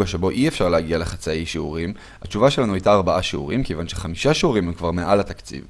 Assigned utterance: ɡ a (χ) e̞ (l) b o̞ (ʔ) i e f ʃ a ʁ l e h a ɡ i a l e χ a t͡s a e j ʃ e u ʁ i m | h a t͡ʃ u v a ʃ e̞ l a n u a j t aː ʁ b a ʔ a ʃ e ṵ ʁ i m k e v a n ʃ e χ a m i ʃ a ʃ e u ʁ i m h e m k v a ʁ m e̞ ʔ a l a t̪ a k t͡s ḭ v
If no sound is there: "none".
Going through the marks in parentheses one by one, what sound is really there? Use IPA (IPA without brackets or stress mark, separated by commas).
ʃ, none, ʔ